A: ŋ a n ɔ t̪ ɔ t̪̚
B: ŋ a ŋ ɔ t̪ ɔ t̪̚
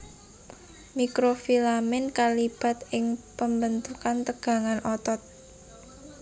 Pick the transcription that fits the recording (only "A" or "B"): A